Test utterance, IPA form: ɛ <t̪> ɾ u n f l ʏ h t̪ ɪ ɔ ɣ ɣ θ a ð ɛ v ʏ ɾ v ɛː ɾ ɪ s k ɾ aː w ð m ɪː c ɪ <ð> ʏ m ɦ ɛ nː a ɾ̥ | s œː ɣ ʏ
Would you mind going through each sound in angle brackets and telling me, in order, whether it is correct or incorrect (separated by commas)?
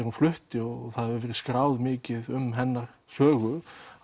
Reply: incorrect, correct